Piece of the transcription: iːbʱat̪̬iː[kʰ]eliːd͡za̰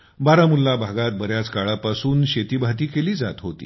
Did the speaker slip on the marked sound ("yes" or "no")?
yes